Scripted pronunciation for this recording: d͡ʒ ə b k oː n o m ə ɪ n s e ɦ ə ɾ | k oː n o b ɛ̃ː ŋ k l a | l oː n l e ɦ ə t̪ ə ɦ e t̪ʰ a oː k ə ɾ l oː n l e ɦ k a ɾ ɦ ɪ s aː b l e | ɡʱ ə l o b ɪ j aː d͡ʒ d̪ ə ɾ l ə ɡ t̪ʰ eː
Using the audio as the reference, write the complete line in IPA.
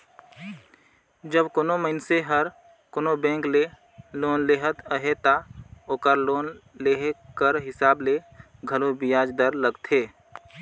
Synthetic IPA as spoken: d͡ʒ ə b k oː n o m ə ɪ n s e ɦ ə ɾ | k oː n o b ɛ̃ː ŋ k l e | l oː n l e ɦ ə t̪ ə ɦ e t̪ a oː k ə ɾ l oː n l e ɦ k ə ɾ ɦ ɪ s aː b l e | ɡʱ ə l o b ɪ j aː d͡ʒ d̪ ə ɾ l ə ɡ t̪ʰ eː